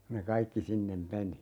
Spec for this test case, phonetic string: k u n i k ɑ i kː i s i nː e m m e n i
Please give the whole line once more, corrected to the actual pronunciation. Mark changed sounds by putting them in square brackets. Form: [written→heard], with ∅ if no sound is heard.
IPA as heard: k u n [i→e] k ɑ i kː i s i nː e m m e n i